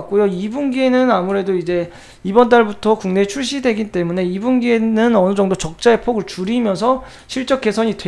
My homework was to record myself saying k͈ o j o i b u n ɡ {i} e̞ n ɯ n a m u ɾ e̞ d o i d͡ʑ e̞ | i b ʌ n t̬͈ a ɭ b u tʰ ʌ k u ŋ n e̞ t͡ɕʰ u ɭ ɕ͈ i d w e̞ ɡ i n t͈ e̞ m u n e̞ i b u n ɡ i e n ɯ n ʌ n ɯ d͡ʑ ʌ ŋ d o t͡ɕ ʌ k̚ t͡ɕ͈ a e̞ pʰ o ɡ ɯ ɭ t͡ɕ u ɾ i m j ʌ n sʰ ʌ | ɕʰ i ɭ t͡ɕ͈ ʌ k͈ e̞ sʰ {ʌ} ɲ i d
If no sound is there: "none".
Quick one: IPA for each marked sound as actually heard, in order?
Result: i, ʌ

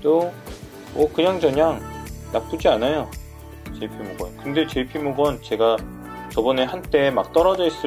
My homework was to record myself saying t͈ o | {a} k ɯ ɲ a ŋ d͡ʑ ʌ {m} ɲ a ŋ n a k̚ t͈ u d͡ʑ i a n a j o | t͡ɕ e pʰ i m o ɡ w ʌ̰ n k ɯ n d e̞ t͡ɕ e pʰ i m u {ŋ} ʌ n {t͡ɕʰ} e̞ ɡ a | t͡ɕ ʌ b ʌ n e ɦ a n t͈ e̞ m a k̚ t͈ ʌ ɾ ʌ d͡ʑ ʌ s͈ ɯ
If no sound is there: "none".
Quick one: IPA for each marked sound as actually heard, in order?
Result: ʌ, none, ɡ, t͡ɕ

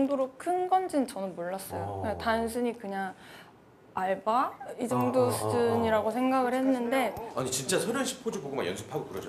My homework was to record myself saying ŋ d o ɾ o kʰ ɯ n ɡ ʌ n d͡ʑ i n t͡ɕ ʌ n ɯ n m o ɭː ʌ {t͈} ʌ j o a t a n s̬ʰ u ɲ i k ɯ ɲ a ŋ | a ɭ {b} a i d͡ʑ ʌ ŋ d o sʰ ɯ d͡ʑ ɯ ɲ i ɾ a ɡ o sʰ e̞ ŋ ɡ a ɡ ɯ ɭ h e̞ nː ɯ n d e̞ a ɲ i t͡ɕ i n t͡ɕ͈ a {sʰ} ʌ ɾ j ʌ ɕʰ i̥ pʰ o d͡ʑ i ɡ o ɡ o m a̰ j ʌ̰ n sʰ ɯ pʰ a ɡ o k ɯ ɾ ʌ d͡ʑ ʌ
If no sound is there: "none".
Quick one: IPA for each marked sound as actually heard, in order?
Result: s͈, b, sʰ

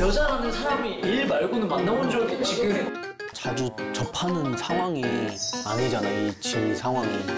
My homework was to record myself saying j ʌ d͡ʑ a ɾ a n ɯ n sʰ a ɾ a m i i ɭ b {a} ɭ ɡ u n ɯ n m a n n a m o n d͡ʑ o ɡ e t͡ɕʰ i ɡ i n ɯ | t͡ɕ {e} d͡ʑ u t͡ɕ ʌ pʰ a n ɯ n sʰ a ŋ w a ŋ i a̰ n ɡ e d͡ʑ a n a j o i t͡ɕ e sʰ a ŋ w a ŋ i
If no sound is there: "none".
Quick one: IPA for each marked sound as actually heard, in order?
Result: a, a

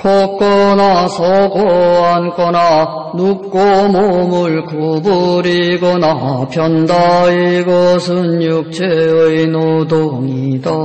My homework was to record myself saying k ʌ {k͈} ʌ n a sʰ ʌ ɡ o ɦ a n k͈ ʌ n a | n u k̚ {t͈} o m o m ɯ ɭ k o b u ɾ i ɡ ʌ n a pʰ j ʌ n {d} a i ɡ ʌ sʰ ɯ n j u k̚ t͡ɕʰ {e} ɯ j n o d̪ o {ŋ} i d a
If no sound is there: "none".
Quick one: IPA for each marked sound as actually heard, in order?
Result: k͈, k͈, d, e, ŋ

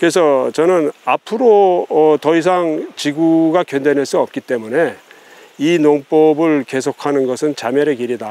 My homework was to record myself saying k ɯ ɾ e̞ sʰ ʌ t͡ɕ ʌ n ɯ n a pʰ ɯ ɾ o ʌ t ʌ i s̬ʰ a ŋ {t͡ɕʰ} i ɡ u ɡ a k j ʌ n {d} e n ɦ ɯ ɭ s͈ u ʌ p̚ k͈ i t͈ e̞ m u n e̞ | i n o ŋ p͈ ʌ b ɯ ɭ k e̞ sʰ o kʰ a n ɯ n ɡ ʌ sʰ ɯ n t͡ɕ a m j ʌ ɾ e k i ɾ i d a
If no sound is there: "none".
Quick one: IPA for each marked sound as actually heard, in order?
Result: t͡ɕ, d

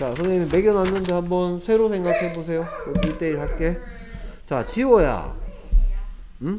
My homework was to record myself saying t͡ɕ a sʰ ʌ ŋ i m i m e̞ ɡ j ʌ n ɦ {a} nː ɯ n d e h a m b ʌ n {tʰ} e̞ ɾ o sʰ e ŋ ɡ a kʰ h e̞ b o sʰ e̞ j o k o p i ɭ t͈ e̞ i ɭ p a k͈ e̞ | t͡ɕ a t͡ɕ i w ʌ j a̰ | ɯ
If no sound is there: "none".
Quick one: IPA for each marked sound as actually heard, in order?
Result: a, sʰ

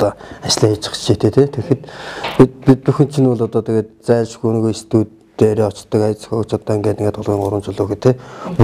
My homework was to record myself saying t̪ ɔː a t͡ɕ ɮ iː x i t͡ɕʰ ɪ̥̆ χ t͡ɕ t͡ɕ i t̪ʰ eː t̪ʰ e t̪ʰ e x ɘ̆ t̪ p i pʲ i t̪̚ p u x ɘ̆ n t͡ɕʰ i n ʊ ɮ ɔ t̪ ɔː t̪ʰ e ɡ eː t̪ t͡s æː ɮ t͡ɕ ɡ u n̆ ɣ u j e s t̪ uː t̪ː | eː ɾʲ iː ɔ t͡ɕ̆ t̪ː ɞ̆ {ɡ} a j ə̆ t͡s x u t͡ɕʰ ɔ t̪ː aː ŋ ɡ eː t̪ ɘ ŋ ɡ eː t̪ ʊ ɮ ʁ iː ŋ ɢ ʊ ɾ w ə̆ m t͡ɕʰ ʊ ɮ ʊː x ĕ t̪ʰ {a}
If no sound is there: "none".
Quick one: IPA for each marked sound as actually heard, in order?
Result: k, e

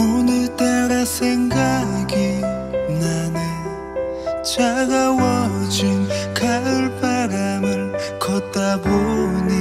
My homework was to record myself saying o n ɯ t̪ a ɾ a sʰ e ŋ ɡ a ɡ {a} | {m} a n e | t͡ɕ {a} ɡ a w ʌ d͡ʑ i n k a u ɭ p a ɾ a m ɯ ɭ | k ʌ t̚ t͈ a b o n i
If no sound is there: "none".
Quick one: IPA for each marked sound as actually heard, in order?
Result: i, n, a

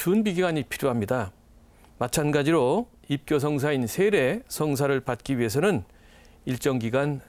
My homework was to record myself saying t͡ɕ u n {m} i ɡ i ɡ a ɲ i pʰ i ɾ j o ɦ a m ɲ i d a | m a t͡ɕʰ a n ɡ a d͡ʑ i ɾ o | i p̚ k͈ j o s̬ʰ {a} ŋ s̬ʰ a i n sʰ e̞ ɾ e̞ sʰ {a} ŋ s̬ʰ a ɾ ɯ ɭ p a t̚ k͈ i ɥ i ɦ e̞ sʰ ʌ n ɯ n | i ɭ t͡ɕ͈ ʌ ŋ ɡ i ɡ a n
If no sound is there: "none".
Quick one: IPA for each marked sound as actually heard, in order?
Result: b, ʌ, ʌ

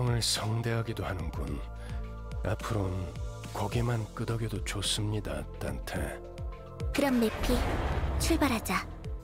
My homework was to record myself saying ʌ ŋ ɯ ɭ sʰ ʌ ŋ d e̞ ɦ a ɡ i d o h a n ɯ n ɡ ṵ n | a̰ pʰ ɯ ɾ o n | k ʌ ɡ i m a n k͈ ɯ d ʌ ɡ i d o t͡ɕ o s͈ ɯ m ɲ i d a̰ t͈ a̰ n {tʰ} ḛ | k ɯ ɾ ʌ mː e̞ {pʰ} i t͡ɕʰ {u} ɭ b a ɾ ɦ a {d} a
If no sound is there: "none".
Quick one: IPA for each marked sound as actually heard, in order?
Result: tʰ, pʰ, u, d͡ʑ

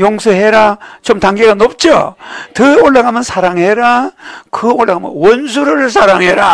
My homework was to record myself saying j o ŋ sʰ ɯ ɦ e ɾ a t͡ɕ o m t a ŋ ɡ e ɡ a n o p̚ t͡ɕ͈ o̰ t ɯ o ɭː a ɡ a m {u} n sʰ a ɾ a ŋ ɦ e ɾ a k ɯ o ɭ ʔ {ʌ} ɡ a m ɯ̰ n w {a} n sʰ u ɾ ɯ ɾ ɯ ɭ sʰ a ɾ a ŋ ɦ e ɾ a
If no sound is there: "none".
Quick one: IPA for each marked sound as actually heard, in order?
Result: ɯ, a, ʌ

